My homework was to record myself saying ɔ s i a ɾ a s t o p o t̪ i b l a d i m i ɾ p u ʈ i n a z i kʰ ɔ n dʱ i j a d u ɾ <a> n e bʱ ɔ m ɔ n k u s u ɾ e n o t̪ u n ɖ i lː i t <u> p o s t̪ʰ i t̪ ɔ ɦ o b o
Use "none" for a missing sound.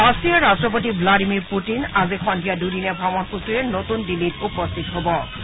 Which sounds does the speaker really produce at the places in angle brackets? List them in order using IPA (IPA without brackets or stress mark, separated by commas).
i, u